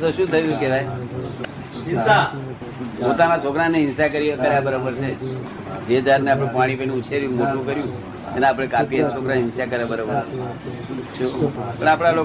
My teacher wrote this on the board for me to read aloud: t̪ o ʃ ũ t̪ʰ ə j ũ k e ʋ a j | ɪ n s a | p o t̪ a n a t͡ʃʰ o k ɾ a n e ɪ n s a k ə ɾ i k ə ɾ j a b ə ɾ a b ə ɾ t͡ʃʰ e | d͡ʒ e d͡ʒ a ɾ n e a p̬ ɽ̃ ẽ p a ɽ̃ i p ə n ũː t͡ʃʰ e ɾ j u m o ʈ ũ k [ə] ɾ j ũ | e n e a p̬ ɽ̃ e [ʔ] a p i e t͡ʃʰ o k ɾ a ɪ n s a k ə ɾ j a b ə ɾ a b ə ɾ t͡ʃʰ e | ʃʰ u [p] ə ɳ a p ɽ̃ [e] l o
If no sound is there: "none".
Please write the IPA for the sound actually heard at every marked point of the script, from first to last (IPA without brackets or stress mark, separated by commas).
ə, k, p, a